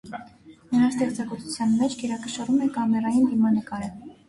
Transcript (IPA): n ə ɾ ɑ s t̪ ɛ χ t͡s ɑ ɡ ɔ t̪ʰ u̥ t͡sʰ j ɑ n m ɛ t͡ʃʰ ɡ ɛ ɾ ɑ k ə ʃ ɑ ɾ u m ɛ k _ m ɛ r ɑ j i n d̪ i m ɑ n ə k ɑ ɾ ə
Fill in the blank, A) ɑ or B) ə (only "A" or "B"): A